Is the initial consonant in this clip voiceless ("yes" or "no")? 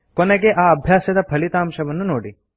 yes